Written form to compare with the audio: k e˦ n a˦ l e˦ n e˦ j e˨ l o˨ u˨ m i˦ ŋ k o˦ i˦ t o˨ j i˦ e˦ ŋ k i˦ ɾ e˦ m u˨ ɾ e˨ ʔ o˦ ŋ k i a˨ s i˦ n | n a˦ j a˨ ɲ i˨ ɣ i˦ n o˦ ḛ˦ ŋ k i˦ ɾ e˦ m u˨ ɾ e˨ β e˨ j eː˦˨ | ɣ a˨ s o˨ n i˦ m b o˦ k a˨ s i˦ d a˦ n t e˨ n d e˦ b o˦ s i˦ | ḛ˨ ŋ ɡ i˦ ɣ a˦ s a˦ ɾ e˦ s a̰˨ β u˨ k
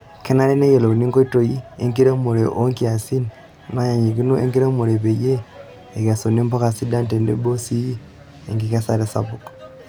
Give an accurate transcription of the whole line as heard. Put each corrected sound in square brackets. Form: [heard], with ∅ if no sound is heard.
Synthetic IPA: k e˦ n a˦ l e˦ n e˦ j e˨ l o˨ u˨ [n] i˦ ŋ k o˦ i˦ t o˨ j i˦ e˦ ŋ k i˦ ɾ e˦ m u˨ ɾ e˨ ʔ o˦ ŋ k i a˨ s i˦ n | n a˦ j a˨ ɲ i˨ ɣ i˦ n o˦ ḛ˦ ŋ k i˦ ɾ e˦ m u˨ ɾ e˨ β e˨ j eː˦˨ | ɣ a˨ s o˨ n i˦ m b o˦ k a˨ s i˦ d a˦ n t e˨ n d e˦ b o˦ s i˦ | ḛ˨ ŋ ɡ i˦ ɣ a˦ s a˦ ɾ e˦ s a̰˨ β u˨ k